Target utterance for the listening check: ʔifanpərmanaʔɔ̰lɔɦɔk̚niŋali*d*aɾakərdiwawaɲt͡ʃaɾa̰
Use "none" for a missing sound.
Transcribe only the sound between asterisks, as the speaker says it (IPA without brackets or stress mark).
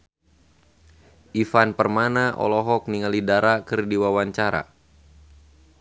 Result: d